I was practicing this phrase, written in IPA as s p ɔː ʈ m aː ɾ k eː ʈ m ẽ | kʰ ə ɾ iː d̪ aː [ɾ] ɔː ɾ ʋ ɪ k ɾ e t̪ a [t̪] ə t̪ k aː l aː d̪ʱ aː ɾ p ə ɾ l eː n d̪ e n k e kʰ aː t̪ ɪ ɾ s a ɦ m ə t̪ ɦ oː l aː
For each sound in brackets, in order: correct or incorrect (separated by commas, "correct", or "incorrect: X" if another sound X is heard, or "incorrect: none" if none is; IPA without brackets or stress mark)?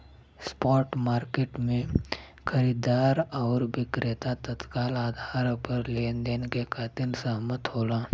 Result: correct, correct